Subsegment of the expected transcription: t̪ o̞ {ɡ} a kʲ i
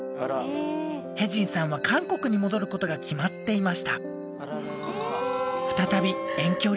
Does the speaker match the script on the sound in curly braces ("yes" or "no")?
yes